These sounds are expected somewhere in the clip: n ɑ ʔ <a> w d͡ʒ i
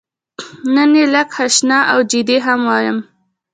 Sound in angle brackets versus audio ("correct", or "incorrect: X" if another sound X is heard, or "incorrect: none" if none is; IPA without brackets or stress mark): correct